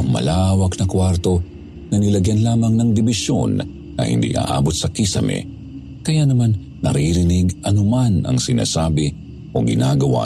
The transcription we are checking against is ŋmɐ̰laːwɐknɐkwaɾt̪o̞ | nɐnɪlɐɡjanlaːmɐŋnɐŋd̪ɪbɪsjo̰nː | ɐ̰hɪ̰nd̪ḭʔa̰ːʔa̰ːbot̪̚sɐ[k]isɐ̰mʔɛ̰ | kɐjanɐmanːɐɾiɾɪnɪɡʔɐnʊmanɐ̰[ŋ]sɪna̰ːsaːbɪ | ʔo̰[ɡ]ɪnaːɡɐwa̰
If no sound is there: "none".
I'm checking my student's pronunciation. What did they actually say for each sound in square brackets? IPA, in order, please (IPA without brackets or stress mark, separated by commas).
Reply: k, ŋ, ɡ